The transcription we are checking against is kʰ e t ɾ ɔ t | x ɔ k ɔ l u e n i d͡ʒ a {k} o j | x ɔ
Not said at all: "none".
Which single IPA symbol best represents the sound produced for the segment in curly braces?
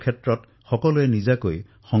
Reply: k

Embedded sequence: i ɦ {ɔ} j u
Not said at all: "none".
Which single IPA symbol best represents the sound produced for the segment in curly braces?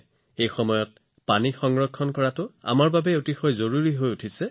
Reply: o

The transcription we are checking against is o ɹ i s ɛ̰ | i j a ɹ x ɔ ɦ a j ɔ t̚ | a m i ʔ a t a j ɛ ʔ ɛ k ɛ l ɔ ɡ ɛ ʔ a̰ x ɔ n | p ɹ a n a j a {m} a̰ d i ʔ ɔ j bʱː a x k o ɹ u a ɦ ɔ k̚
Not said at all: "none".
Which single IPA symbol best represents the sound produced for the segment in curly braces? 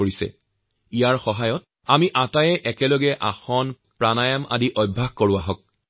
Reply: m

